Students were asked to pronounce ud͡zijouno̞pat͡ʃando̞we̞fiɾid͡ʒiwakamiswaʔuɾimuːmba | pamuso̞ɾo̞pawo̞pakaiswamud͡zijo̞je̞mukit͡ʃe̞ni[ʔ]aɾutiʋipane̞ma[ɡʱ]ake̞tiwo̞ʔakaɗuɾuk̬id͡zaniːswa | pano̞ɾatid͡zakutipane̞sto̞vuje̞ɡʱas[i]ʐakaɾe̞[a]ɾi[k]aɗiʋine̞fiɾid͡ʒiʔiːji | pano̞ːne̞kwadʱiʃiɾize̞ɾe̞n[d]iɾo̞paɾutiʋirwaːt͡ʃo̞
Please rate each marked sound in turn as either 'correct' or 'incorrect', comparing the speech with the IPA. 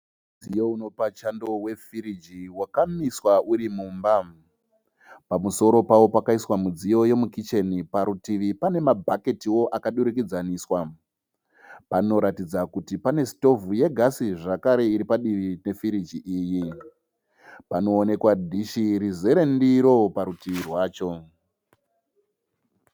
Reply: incorrect: p, incorrect: bʱ, correct, incorrect: i, incorrect: p, correct

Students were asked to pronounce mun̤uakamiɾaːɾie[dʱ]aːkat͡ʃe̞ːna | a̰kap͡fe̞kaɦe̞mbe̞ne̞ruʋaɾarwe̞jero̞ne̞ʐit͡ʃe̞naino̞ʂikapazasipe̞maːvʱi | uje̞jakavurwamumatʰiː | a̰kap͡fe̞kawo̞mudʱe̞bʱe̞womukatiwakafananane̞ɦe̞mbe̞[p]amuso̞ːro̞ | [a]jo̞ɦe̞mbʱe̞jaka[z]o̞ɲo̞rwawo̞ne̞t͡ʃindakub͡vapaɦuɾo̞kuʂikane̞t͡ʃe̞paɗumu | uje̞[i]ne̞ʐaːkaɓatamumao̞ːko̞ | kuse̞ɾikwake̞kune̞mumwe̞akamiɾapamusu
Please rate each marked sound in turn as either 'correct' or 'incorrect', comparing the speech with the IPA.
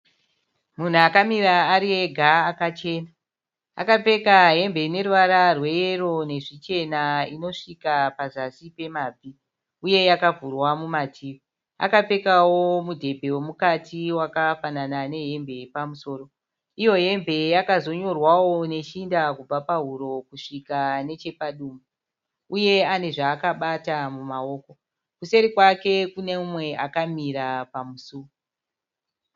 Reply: incorrect: ɡʱ, correct, incorrect: i, correct, incorrect: a

